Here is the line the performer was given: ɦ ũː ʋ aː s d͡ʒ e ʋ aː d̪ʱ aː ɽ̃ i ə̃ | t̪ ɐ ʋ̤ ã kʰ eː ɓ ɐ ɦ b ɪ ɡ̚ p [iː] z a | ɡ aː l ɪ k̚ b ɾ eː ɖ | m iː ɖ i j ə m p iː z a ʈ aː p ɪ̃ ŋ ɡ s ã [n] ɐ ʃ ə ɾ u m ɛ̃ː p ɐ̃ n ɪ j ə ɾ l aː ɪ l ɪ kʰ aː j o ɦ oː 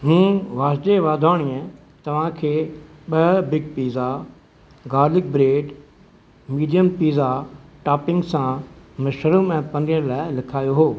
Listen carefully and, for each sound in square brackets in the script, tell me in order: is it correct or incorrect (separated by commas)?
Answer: correct, incorrect